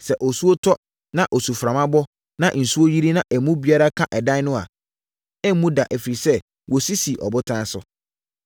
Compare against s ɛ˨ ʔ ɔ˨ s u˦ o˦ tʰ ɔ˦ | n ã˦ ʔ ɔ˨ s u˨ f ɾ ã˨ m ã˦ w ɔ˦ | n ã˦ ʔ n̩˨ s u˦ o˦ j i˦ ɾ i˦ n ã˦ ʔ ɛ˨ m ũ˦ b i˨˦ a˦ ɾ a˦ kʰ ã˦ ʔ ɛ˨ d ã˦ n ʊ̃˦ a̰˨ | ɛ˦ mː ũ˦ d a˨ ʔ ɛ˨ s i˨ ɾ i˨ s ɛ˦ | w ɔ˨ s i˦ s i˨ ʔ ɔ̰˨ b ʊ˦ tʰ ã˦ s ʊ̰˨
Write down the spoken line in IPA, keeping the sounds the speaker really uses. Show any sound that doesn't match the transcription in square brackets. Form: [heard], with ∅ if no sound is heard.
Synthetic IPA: s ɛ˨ ʔ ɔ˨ s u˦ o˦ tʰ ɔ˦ | n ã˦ ʔ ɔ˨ s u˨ f ɾ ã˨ m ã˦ [b] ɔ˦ | n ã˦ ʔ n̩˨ s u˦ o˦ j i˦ ɾ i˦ n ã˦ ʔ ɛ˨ m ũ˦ b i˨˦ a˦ ɾ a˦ kʰ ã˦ ʔ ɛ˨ d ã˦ n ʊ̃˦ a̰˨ | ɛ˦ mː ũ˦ d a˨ ʔ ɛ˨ [f] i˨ ɾ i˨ s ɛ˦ | w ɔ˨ s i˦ s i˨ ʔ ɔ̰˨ b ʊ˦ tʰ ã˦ s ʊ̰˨